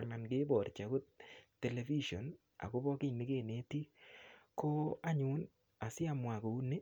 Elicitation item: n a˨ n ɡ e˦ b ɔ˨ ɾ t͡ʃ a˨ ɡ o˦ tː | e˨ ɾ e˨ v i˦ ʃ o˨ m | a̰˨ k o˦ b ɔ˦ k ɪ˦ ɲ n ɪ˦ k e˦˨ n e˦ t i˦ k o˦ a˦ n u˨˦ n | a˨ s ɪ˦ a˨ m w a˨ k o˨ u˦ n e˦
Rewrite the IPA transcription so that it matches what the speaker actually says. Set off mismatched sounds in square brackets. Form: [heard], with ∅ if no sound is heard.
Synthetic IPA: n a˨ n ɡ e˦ b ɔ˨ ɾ t͡ʃ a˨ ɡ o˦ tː | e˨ [l] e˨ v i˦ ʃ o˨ [n] | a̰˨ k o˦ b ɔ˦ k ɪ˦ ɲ n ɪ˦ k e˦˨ n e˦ t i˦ k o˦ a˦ [ɲ] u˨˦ n | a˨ s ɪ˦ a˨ m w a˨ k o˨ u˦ n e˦